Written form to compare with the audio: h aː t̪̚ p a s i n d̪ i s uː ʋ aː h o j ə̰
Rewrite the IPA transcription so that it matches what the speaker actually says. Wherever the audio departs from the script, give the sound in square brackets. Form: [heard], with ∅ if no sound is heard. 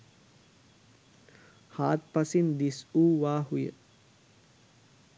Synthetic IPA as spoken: h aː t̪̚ p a s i n d̪ i s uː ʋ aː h [u] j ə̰